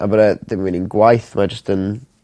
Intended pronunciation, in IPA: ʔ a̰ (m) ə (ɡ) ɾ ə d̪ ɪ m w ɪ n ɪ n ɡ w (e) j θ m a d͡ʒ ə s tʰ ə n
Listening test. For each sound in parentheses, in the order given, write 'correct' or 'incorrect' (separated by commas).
incorrect, incorrect, incorrect